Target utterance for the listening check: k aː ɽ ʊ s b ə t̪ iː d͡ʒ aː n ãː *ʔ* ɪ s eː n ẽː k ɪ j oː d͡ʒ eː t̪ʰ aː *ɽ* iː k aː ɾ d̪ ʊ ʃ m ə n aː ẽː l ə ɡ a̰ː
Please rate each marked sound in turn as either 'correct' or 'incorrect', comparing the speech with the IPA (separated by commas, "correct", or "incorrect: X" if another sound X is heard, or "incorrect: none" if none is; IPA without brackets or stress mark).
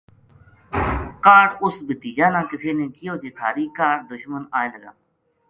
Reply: incorrect: k, incorrect: ɾ